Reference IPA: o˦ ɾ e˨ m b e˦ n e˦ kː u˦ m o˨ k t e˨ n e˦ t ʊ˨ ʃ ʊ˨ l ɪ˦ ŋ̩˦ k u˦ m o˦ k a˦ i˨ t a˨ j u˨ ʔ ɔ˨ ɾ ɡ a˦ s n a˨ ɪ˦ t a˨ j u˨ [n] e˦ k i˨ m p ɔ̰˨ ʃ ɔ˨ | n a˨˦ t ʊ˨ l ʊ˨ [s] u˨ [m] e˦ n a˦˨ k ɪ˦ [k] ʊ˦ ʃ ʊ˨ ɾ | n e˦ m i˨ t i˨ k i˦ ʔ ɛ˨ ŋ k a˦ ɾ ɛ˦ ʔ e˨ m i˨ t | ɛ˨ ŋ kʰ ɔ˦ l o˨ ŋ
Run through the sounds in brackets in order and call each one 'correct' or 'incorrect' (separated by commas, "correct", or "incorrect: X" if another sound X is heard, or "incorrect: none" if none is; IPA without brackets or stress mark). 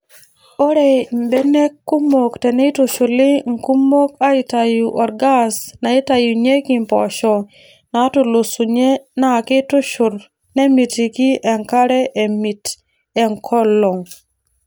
incorrect: ɲ, correct, incorrect: ɲ, incorrect: t